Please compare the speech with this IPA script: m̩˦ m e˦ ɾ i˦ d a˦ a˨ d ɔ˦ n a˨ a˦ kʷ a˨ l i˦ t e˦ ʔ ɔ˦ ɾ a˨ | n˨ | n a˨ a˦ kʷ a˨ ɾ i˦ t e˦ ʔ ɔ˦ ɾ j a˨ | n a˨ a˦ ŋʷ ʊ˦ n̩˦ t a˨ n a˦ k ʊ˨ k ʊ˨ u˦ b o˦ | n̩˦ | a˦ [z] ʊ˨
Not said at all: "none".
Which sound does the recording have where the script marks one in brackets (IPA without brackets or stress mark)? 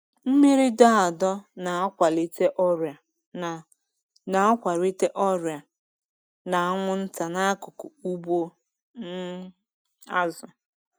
z